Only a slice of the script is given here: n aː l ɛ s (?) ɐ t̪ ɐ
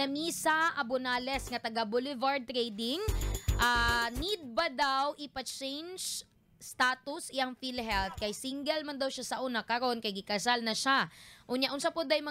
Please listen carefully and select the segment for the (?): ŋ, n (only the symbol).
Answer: ŋ